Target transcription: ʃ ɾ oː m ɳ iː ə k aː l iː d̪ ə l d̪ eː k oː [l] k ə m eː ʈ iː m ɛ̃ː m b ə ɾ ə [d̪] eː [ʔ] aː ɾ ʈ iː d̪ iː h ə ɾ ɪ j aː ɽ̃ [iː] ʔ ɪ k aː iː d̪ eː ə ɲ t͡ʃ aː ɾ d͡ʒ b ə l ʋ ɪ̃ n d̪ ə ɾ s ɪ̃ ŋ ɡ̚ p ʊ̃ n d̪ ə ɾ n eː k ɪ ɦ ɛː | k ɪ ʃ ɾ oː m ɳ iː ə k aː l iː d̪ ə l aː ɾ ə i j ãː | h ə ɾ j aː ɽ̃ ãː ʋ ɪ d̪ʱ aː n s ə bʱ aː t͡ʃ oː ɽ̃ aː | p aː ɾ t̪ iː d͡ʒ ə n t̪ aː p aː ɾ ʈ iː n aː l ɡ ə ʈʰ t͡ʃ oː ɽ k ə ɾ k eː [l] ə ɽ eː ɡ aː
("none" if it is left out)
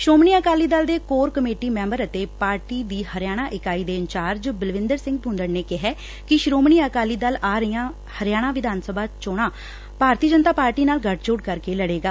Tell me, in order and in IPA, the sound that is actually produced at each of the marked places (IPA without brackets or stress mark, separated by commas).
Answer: ɾ, t̪, p, aː, l